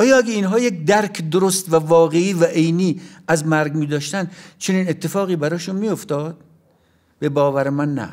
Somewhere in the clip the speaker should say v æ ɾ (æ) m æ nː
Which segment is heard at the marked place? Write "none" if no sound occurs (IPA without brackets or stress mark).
e